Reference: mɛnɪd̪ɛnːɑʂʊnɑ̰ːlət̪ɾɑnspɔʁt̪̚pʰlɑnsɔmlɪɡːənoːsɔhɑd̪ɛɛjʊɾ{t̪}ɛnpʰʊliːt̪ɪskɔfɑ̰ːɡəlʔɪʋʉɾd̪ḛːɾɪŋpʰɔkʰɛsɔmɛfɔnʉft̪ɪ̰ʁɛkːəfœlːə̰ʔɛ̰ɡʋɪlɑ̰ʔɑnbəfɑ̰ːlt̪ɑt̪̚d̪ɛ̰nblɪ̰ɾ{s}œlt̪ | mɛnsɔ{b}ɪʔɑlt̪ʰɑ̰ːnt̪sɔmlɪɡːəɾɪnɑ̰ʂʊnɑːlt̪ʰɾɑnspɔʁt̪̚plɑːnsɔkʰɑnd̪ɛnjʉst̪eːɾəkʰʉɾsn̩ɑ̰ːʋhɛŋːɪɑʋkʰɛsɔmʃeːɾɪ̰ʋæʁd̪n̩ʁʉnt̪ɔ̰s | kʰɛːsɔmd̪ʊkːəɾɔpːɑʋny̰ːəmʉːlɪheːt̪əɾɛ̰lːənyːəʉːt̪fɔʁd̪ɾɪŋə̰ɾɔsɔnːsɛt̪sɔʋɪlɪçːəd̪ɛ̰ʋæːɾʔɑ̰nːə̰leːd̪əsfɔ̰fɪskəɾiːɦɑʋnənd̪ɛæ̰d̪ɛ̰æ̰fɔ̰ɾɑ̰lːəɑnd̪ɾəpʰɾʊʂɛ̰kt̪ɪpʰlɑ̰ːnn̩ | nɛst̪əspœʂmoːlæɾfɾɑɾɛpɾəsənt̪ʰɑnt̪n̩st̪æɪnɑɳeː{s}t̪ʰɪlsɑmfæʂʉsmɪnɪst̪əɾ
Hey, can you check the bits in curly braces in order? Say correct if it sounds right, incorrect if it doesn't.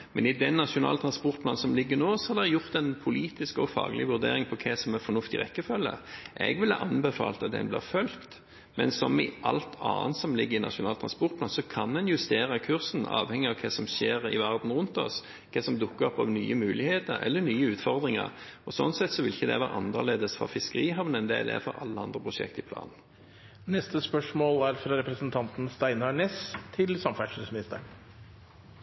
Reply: correct, incorrect, incorrect, correct

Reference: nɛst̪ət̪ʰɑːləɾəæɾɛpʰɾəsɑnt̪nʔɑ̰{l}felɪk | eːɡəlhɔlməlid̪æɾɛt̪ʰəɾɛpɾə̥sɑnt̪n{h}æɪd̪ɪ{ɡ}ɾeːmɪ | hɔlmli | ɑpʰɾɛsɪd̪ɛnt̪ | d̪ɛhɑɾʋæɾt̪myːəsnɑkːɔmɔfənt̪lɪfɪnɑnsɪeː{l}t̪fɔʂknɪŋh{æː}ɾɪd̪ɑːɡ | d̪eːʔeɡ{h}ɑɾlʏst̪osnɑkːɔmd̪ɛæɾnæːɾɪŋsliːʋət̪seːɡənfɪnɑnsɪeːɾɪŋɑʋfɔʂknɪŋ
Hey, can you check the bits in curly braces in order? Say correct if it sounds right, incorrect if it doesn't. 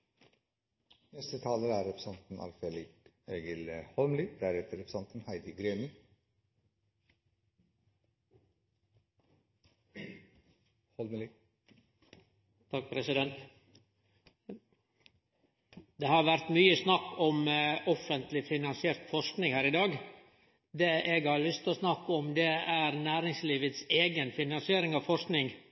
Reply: correct, correct, correct, incorrect, correct, correct

